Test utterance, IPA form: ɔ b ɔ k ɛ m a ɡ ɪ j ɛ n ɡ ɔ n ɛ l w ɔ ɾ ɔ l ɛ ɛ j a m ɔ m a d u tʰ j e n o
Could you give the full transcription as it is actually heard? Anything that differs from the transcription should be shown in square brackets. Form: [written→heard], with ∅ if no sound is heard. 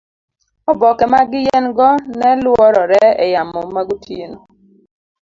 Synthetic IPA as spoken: ɔ b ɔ k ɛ m a ɡ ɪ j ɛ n ɡ ɔ n ɛ l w ɔ ɾ ɔ [l→ɾ] ɛ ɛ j a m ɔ m a [d→ɡ] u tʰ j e n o